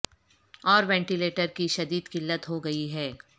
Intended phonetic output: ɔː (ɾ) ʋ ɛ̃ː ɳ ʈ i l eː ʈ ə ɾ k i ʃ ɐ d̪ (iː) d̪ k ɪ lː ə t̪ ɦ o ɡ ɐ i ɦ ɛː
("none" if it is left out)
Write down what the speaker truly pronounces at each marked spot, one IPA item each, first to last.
ɾ, iː

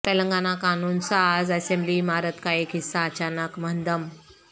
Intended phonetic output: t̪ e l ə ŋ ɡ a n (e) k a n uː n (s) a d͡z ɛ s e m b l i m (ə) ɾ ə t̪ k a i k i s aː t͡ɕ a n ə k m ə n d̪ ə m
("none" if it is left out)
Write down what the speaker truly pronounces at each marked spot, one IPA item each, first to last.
a, s, a

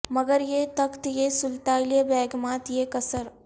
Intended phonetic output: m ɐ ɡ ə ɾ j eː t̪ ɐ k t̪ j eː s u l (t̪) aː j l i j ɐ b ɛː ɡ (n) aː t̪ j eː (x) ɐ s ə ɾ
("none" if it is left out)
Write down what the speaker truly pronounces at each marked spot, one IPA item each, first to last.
t̪, m, k

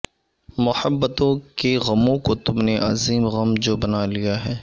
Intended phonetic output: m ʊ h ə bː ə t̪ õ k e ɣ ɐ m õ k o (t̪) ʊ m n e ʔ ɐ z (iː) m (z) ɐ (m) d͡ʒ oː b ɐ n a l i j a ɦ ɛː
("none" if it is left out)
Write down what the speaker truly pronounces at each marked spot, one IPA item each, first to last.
t̪, iː, ɣ, m

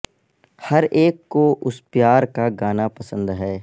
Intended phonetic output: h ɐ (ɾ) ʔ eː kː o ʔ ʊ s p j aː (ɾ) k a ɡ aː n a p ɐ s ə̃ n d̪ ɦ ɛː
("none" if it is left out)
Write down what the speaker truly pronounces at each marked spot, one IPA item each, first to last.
ɾ, ɾ

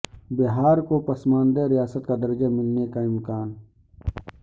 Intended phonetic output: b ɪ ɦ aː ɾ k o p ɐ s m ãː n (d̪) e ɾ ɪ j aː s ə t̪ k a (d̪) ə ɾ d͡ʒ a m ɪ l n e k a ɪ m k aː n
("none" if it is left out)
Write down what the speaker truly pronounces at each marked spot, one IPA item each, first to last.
d̪, d̪

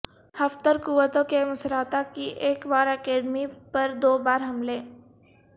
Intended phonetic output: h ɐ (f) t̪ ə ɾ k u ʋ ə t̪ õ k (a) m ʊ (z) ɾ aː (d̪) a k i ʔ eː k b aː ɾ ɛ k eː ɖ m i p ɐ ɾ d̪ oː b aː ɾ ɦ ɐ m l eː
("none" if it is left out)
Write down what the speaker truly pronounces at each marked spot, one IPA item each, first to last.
f, e, s, t̪

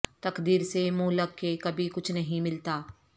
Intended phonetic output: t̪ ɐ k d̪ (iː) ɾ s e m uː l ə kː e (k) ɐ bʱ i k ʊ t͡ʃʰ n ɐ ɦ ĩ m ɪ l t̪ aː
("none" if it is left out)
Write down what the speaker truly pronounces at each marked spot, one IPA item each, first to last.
iː, k

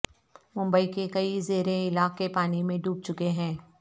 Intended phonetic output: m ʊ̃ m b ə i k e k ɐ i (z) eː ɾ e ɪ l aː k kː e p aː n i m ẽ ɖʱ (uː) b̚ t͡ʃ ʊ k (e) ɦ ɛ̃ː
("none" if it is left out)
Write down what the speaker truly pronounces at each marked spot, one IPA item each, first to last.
z, uː, e

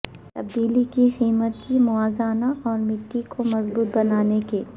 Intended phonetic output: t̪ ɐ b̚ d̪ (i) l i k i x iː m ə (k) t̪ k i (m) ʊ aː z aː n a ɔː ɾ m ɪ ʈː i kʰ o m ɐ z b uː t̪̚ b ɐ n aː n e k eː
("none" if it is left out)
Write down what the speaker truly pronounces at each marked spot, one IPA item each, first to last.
iː, none, m

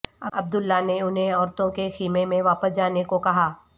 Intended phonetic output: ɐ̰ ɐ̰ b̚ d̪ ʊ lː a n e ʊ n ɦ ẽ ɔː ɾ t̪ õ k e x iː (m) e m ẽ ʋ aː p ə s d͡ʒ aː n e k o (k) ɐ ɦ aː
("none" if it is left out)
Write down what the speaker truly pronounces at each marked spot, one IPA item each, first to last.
m, k

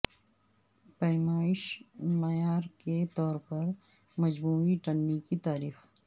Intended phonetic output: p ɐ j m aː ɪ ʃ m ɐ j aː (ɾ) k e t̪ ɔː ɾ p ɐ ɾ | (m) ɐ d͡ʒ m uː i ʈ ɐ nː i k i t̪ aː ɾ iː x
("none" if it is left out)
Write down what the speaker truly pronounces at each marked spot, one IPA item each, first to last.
ɾ, m

